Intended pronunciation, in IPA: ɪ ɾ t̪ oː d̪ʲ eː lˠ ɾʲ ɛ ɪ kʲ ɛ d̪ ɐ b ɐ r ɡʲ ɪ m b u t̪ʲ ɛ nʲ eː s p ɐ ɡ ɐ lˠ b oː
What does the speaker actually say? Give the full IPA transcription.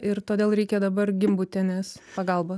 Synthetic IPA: ɪ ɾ t̪ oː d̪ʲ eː lˠ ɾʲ ɛ ɪ kʲ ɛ d̪ ɐ b ɐ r ɡʲ ɪ m b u t̪ʲ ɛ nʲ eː s p ɐ ɡ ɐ lˠ b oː